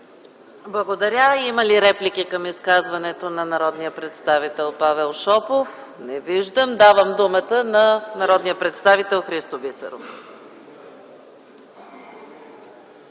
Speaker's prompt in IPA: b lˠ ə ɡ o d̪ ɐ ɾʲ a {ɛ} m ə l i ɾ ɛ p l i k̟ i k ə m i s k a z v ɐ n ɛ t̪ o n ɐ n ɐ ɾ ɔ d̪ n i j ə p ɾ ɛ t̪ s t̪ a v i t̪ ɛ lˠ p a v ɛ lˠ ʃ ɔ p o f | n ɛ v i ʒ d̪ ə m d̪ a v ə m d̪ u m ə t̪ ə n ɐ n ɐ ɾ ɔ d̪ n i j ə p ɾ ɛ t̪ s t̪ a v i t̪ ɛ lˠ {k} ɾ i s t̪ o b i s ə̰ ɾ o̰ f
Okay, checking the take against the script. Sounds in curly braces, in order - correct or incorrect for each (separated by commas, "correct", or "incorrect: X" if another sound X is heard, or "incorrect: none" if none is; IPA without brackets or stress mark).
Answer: incorrect: i, incorrect: x